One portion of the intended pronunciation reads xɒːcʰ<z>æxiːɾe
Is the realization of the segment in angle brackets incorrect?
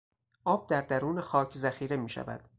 no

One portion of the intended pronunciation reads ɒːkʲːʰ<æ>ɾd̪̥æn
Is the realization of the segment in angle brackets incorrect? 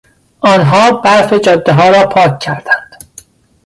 no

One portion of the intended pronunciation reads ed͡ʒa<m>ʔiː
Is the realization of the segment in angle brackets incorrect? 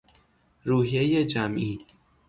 no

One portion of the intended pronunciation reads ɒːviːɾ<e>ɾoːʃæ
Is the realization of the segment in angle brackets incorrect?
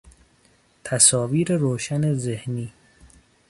no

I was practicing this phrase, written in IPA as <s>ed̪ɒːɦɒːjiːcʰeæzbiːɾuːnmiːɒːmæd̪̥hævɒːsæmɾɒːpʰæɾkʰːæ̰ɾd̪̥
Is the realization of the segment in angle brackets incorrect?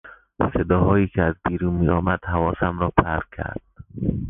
no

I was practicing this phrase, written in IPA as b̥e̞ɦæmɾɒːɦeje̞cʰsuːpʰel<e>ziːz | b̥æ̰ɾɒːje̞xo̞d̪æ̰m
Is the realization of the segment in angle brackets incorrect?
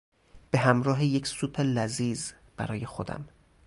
yes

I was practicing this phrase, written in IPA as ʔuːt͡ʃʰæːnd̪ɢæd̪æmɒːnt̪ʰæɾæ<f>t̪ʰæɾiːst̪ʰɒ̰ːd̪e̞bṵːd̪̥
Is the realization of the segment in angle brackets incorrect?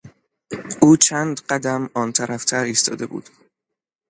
no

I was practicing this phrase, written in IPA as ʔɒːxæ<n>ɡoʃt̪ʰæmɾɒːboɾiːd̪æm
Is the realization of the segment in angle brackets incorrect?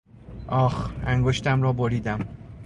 yes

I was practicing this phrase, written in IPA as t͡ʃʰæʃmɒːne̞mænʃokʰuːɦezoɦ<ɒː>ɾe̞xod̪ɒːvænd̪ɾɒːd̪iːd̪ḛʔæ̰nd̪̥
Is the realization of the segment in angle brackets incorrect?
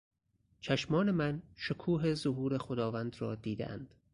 yes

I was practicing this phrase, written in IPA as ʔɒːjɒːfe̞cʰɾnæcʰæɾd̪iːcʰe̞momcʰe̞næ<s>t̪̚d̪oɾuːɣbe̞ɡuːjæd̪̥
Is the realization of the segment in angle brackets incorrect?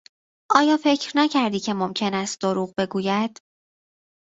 no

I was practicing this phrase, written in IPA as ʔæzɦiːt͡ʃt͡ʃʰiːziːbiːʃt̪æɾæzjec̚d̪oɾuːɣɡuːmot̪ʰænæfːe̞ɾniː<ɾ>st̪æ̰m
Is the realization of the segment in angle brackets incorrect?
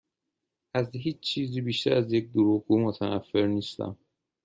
yes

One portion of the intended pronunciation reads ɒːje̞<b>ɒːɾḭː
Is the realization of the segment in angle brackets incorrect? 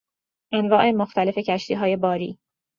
no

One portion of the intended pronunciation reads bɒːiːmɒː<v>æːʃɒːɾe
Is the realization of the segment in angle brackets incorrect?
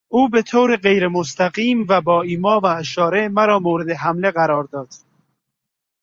no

